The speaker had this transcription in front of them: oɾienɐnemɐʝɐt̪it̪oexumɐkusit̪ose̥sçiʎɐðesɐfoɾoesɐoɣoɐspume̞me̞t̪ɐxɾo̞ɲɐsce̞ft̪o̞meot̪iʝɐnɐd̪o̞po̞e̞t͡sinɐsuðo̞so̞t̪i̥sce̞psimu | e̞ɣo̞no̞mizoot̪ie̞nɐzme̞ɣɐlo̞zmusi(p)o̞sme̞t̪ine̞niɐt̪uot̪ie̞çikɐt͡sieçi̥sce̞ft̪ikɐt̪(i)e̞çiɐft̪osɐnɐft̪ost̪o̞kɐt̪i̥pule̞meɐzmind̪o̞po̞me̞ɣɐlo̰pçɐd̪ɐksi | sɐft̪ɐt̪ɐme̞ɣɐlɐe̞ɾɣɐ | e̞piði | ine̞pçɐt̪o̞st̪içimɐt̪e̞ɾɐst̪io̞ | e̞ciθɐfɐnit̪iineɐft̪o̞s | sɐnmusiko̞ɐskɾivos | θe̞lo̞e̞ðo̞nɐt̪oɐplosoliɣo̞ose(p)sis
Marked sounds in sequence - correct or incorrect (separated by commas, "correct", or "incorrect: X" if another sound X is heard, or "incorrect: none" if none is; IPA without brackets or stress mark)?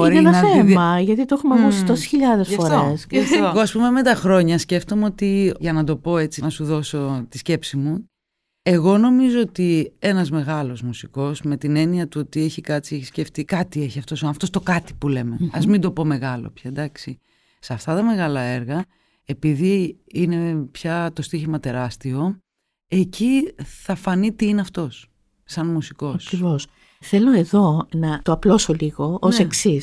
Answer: incorrect: k, correct, incorrect: k